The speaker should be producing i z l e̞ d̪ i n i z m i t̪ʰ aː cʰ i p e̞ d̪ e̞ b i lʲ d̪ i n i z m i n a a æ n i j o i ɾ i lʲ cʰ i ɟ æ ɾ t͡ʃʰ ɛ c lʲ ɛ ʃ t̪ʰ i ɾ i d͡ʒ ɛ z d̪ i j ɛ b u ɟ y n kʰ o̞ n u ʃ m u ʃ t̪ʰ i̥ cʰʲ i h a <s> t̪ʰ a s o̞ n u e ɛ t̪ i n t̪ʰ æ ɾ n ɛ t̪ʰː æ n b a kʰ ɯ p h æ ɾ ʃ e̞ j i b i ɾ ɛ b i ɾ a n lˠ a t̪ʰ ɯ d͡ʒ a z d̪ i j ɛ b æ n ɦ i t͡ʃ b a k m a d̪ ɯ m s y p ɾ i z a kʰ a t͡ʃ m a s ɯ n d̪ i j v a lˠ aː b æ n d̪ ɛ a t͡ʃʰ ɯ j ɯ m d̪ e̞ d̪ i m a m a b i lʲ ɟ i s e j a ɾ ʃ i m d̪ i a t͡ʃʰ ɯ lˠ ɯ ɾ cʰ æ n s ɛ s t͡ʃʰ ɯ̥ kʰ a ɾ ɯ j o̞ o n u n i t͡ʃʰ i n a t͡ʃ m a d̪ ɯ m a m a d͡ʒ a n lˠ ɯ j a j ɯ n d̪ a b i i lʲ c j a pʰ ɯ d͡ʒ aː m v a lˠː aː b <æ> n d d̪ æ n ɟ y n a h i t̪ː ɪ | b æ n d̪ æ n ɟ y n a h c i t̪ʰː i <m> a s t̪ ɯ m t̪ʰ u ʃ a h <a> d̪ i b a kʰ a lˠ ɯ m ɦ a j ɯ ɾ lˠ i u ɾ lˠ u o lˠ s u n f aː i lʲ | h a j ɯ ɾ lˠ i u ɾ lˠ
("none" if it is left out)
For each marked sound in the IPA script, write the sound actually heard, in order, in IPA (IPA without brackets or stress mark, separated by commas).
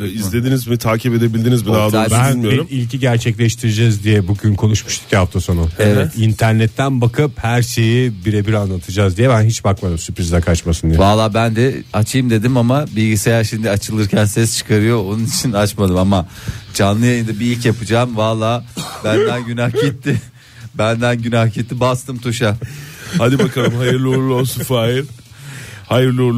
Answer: f, æ, b, a